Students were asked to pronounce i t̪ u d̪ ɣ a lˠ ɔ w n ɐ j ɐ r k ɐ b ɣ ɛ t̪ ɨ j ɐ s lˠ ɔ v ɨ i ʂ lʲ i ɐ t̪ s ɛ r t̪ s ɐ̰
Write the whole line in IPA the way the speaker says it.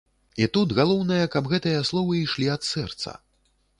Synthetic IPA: i t̪ u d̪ ɣ a lˠ ɔ w n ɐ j ɐ k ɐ b ɣ ɛ t̪ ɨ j ɐ s lˠ ɔ v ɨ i ʂ lʲ i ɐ t̪ s ɛ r t̪ s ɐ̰